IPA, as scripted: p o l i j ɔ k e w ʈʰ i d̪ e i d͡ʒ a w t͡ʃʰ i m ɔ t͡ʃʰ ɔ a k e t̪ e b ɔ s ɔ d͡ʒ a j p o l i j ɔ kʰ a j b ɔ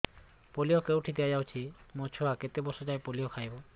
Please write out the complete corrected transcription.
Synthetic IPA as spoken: p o l i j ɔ k e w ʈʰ i d̪ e a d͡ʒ a w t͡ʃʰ i m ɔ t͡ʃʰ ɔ a k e t̪ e b ɔ s ɔ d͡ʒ a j p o l i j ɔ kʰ a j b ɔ